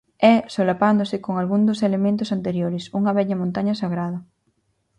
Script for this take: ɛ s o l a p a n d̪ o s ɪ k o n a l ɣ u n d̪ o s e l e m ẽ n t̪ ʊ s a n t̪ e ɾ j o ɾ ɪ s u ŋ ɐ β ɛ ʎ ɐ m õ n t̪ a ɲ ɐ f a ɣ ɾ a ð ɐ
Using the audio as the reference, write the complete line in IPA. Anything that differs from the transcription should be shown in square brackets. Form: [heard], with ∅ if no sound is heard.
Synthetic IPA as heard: ɛ s o l a p a n d̪ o s ɪ k o [ŋ] a l ɣ u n d̪ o s e l e m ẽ n t̪ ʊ s a n t̪ e ɾ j o ɾ ɪ s u ŋ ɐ β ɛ ʎ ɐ m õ n t̪ a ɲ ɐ [s] a ɣ ɾ a ð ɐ